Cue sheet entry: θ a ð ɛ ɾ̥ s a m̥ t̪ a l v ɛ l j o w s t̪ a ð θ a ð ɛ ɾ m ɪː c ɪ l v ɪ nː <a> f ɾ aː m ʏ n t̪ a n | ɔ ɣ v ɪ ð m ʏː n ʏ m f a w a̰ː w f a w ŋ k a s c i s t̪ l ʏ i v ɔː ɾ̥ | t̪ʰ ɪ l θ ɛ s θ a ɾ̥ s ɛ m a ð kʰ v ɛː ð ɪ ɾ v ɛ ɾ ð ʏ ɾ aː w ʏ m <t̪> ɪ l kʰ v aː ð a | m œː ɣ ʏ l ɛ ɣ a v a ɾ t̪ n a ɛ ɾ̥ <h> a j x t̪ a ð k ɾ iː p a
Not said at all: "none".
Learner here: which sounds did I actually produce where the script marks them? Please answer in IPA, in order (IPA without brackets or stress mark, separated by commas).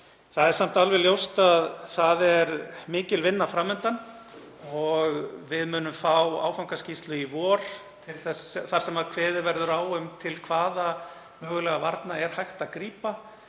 a, t̪ʰ, h